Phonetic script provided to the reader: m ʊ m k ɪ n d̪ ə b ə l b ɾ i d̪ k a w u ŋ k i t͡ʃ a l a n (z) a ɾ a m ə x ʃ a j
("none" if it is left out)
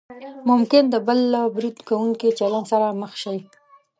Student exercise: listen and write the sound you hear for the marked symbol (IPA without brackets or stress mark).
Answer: s